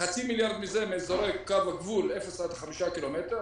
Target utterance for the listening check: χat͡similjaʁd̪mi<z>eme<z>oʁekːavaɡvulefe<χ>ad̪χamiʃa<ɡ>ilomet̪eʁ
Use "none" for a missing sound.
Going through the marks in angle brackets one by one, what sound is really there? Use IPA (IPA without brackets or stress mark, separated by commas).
z, z, s, k